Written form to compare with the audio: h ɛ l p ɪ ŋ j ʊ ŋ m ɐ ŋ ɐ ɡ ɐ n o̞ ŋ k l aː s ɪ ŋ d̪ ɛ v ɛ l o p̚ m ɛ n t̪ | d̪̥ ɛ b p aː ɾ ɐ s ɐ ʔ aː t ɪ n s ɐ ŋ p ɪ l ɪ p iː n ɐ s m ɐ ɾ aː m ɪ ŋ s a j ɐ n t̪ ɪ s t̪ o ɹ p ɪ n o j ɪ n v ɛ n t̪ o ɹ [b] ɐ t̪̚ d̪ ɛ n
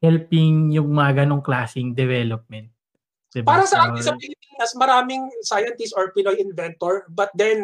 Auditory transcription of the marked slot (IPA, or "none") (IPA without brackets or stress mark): b